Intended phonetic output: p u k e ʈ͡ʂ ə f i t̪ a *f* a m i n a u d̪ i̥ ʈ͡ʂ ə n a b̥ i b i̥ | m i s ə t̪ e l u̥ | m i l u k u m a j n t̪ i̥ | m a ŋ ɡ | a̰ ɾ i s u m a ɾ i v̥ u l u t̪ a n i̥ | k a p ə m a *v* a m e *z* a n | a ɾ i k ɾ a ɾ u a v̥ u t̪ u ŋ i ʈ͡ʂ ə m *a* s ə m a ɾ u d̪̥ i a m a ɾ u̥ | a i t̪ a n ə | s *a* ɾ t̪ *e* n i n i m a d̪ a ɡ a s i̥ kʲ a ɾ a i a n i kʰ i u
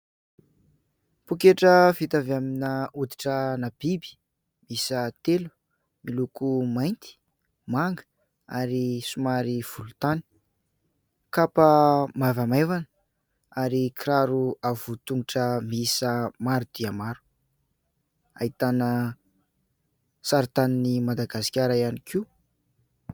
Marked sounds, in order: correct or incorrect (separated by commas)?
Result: incorrect, correct, incorrect, incorrect, correct, incorrect